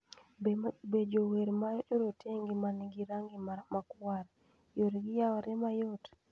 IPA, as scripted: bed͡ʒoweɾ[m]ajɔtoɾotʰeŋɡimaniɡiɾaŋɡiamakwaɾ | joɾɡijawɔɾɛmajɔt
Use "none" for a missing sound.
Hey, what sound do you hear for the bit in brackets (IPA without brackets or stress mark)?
m